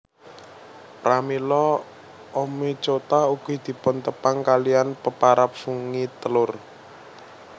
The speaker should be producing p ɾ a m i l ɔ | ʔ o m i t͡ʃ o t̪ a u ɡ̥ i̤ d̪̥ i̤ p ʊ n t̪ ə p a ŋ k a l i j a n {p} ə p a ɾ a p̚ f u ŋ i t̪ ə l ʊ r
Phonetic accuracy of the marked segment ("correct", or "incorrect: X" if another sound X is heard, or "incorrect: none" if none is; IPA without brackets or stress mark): correct